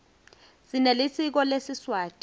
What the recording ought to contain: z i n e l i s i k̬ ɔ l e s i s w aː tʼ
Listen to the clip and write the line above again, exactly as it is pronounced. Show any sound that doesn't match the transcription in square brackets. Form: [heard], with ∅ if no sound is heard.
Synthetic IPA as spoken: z i n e l i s i k̬ ɔ l e s i s w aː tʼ